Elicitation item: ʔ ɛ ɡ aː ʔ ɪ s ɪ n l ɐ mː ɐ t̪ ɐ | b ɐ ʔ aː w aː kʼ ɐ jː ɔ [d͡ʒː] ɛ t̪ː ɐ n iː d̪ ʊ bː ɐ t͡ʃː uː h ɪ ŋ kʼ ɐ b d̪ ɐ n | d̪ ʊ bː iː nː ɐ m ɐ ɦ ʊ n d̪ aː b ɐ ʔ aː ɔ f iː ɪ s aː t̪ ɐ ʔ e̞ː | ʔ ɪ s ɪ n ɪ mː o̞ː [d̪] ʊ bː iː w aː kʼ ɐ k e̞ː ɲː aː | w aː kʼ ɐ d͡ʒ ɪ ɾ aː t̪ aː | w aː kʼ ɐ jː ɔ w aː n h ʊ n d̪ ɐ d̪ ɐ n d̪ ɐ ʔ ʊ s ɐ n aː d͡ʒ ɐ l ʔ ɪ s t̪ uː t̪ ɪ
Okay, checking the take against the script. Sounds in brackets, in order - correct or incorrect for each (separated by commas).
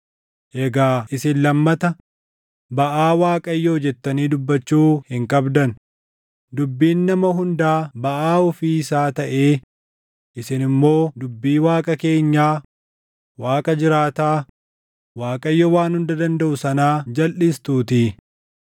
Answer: incorrect, correct